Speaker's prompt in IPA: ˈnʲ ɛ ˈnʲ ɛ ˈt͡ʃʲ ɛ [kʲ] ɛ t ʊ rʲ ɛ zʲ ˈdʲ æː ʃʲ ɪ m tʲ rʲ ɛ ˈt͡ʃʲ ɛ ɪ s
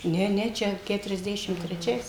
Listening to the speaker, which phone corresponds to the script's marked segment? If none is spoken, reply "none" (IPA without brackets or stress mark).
kʲ